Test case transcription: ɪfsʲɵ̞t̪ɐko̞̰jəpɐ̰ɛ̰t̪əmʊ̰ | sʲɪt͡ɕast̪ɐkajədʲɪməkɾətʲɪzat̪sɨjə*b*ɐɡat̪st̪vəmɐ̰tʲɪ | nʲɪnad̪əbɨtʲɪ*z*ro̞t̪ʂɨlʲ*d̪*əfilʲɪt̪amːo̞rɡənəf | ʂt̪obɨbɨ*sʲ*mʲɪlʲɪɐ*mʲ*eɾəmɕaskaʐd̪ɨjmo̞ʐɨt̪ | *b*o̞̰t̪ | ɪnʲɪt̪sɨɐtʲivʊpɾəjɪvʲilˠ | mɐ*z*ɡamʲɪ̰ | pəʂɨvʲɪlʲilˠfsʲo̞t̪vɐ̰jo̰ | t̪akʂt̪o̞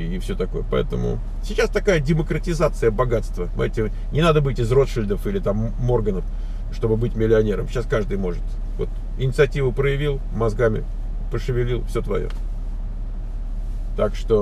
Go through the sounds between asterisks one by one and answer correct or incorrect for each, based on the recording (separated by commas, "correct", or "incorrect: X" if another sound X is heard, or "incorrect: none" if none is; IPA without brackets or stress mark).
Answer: correct, correct, correct, incorrect: tʲ, incorrect: nʲ, incorrect: v, correct